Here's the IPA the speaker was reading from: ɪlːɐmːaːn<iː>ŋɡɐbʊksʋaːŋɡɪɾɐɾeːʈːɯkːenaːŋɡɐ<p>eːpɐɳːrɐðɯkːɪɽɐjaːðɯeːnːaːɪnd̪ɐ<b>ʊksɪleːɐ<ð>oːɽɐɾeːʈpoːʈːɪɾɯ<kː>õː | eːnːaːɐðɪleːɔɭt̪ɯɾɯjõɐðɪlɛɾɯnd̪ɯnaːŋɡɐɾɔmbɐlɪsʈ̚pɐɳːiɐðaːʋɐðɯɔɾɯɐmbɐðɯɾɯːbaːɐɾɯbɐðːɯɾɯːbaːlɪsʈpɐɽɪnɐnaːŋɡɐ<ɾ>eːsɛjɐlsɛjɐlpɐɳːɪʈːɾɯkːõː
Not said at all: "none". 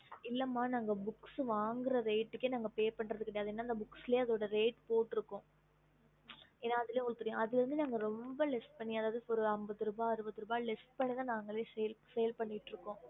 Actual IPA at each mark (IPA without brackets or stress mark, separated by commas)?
aː, p, b, ð, kː, ɭ